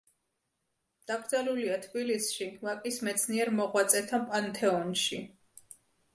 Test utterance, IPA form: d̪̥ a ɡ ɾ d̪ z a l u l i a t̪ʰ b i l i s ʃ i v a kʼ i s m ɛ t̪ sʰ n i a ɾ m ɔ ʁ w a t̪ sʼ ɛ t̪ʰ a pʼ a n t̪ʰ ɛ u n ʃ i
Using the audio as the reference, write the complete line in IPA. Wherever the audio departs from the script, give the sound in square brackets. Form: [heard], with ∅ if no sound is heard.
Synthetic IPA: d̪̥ a ɡ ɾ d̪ z a l u l i a t̪ʰ b i l i s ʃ i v a kʼ i s m ɛ t̪ sʰ n i [ɛ] ɾ m ɔ ʁ w a t̪ sʼ ɛ t̪ʰ a pʼ a n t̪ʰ ɛ [ɔ] n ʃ i